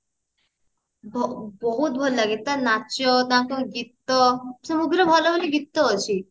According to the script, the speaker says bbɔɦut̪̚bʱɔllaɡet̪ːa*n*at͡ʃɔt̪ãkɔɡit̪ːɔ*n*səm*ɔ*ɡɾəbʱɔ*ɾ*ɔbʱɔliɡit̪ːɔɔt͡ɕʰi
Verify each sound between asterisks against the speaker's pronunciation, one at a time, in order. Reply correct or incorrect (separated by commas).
correct, incorrect, incorrect, incorrect